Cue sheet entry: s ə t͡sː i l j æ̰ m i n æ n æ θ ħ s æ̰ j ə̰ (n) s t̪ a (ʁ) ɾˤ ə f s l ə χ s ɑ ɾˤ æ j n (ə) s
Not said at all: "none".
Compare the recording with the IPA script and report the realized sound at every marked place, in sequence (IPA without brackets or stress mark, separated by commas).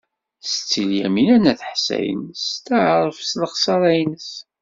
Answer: n, ʕ, ə